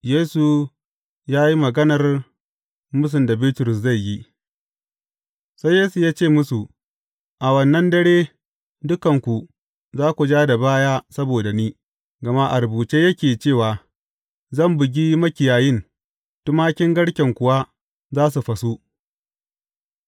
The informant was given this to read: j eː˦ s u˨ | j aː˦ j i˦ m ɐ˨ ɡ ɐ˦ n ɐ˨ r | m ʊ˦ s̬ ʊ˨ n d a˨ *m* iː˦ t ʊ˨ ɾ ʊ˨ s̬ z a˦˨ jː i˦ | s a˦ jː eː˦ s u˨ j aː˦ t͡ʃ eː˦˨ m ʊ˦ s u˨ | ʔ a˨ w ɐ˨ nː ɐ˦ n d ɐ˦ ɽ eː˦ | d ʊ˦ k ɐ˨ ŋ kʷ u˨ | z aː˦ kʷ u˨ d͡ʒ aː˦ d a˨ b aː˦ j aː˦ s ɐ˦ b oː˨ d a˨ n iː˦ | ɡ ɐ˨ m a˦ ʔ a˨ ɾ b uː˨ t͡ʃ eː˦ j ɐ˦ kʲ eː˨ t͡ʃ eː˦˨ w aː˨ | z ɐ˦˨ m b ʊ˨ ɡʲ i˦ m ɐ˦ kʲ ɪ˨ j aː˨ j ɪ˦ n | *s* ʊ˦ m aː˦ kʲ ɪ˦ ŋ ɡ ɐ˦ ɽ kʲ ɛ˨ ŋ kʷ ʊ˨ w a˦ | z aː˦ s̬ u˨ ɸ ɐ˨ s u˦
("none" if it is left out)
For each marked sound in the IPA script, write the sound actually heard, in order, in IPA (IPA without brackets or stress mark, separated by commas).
b, t